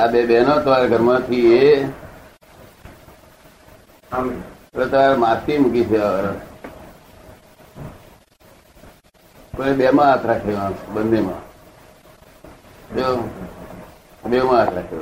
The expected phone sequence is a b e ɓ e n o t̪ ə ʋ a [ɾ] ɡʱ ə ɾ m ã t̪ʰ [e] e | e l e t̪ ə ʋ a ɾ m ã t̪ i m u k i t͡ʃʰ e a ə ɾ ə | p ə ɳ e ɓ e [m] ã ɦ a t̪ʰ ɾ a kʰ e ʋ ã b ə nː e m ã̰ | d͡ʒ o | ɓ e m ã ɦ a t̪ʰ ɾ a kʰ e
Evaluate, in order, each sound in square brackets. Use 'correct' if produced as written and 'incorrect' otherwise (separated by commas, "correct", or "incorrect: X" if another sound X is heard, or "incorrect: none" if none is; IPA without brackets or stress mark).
correct, incorrect: i, correct